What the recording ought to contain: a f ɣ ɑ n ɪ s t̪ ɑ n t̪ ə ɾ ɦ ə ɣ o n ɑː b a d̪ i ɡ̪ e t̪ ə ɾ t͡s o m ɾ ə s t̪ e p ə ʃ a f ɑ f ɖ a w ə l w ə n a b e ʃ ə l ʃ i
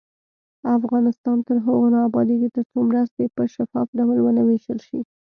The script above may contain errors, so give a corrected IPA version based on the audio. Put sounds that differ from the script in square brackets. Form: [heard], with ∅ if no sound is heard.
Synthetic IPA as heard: a f ɣ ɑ n ɪ s t̪ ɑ n t̪ ə ɾ ɦ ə ɣ o n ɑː b [ɑ] d̪ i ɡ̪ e t̪ ə ɾ t͡s o m ɾ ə s t̪ e p ə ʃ a f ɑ f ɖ a w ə l w ə n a [w] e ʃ ə l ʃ i